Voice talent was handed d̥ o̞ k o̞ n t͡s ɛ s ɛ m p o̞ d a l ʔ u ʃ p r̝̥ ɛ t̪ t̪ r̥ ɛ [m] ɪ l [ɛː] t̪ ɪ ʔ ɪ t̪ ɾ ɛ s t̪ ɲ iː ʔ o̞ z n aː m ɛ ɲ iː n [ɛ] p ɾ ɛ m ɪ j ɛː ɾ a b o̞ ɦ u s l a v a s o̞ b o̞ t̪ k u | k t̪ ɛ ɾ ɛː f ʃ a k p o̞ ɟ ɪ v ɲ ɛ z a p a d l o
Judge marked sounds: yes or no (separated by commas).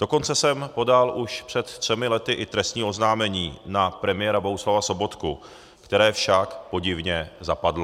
yes, no, no